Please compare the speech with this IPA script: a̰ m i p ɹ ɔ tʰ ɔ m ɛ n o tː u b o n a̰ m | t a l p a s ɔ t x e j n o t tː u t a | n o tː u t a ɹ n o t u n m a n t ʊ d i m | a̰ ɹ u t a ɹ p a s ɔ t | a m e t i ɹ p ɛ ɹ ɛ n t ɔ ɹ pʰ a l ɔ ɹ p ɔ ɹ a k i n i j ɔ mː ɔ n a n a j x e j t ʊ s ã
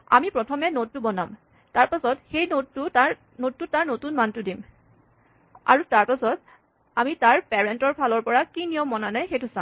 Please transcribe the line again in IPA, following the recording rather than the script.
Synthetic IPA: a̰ m i p ɹ ɔ tʰ ɔ m ɛ n o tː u b ɔ n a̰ m | t a ɹ p a s ɔ t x e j n o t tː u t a | n o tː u t a ɹ n o t u n m a n t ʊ d i m | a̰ ɹ u t a ɹ p a s ɔ t | a m i t a ɹ p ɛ ɹ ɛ n t ɔ ɹ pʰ a l ɔ ɹ p ɔ ɹ a k i n i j ɔ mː ɔ n a n a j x e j t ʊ s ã